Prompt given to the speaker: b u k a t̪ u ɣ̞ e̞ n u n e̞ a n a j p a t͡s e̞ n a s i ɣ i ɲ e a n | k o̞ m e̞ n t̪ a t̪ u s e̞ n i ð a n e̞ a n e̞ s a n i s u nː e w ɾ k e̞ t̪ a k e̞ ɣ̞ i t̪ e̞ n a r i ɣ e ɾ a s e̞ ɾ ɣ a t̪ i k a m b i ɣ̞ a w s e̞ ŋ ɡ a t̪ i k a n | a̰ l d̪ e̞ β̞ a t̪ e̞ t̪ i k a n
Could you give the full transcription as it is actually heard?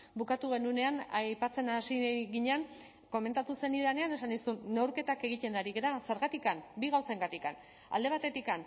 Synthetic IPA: b u k a t̪ u ɣ̞ e̞ n u n e̞ a n a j p a t͡s e̞ n a s i ɣ i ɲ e a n | k o̞ m e̞ n t̪ a t̪ u s e̞ n i ð a n e̞ a n e̞ s a n i s u nː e w ɾ k e̞ t̪ a k e̞ ɣ̞ i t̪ e̞ n a ɾ i ɣ e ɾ a s e̞ ɾ ɣ a t̪ i k a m b i ɣ̞ a w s e̞ ŋ ɡ a t̪ i k a n | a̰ l d̪ e̞ β̞ a t̪ e̞ t̪ i k a n